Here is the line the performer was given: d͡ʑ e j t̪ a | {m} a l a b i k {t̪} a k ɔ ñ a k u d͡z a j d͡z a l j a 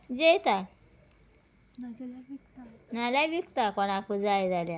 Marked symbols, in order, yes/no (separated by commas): no, yes